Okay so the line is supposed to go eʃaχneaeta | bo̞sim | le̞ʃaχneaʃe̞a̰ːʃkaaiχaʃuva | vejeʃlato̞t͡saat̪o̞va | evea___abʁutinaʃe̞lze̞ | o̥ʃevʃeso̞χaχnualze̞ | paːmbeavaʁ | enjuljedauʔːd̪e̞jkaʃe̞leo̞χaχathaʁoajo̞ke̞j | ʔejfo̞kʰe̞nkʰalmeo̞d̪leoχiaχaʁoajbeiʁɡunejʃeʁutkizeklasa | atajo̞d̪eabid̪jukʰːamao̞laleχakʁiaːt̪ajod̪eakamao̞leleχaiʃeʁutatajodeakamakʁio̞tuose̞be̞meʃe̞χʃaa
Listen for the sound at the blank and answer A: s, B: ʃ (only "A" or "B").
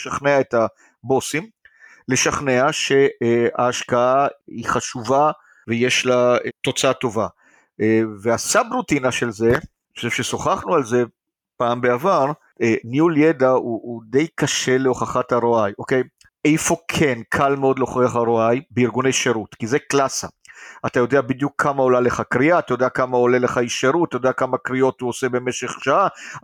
A